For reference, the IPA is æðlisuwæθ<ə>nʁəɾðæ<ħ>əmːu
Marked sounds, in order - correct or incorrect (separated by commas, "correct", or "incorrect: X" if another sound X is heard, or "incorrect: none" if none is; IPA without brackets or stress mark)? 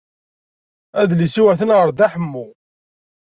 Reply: correct, correct